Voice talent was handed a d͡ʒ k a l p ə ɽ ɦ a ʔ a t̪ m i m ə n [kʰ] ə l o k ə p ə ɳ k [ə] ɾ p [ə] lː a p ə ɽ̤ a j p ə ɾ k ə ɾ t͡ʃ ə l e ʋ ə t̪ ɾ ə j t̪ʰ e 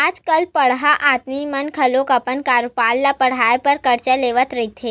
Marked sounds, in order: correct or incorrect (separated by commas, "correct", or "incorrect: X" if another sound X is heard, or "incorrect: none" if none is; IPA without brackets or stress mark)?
correct, incorrect: a, incorrect: a